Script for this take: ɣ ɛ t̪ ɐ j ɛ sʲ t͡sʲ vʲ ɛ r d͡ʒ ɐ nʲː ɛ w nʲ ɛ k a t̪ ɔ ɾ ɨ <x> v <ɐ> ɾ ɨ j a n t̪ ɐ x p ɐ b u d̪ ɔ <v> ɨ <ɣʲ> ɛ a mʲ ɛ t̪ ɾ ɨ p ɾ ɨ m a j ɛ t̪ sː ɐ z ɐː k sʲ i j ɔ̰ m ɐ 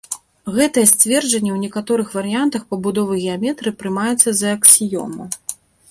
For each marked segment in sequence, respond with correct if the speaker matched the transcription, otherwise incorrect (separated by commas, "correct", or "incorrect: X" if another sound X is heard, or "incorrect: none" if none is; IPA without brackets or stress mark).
correct, correct, correct, correct